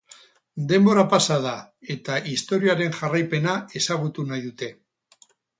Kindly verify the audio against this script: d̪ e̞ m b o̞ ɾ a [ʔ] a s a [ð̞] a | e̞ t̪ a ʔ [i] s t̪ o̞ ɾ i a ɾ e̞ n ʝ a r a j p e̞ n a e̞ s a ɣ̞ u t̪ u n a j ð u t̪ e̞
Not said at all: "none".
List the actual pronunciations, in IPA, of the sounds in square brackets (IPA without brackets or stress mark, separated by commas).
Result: p, ð̞, i